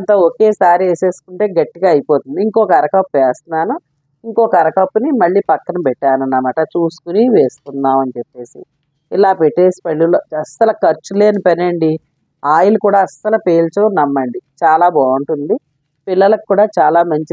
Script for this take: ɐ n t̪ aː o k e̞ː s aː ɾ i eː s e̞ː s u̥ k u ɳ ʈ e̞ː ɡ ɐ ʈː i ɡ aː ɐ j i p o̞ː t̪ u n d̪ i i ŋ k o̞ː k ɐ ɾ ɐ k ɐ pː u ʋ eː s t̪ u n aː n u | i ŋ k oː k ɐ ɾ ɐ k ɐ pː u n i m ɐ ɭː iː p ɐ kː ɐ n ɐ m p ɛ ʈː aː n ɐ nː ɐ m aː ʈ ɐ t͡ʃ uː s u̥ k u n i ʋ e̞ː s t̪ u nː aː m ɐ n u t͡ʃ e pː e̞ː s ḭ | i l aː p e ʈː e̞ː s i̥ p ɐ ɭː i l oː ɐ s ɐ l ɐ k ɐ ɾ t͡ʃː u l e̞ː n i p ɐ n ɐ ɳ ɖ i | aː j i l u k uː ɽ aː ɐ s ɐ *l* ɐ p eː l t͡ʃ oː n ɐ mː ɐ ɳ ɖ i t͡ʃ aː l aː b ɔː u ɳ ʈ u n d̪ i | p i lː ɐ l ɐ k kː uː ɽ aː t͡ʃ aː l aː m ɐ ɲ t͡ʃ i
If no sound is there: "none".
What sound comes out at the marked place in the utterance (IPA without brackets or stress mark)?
l